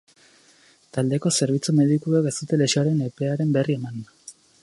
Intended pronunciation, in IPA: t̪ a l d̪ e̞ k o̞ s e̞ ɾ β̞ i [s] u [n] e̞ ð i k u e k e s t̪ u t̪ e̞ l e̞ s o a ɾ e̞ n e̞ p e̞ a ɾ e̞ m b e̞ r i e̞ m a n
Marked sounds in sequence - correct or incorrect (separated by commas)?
incorrect, incorrect